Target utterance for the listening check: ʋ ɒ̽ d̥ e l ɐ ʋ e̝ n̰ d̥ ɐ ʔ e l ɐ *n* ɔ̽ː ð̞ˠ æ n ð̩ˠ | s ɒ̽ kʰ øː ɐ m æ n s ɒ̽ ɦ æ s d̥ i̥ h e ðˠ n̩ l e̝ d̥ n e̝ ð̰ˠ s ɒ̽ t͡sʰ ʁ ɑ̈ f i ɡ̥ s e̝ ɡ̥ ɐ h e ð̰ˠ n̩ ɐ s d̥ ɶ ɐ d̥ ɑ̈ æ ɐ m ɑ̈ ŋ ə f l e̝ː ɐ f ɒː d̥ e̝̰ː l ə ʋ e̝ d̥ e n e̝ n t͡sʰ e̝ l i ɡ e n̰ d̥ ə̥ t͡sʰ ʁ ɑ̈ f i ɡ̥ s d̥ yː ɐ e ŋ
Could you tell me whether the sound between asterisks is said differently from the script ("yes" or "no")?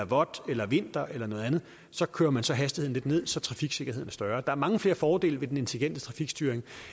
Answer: no